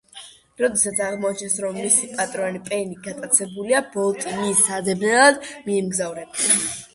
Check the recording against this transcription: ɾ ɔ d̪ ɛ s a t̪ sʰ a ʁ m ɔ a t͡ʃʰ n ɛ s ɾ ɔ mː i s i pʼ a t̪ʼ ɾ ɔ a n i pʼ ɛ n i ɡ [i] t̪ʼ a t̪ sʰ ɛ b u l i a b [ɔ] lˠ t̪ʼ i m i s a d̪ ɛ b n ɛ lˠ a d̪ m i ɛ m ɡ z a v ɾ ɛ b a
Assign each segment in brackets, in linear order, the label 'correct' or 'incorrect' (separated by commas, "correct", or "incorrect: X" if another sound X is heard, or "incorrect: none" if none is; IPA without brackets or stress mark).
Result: incorrect: a, correct